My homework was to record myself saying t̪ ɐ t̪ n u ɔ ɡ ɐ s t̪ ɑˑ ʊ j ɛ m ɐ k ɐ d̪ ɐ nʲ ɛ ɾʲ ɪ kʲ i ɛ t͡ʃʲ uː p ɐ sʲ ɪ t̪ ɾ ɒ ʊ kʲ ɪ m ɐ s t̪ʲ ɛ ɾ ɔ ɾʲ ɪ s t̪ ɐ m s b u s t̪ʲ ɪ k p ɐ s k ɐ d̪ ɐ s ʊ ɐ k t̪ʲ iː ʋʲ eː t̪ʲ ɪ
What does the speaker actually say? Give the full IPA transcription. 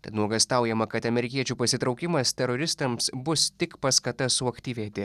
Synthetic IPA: t̪ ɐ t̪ n u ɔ ɡ ɐ s t̪ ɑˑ ʊ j ɛ m ɐ k ɐ t̪ ɐ mʲ ɛ ɾʲ ɪ kʲ i ɛ t͡ʃʲ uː p ɐ sʲ ɪ t̪ ɾ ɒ ʊ kʲ ɪ m ɐ s t̪ʲ ɛ ɾ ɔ ɾʲ ɪ s t̪ ɐ m s b ʊ s t̪ʲ ɪ k p ɐ s k ɐ t̪ ɐ s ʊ ɐ k t̪ʲ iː ʋʲ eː t̪ʲ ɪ